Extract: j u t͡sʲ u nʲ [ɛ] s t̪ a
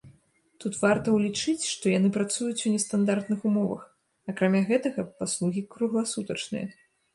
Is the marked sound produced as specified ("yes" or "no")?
yes